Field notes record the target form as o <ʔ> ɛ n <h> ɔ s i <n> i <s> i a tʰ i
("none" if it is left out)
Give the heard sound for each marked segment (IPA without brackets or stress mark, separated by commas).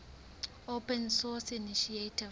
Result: p, s, n, ʃ